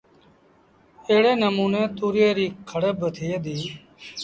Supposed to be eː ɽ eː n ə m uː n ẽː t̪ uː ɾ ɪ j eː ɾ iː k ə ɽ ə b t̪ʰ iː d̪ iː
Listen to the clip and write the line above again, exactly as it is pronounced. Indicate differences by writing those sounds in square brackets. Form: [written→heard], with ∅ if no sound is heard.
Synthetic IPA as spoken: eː ɽ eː n ə m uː n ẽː t̪ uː ɾ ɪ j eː ɾ iː [k→kʰ] ə ɽ ə b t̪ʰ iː d̪ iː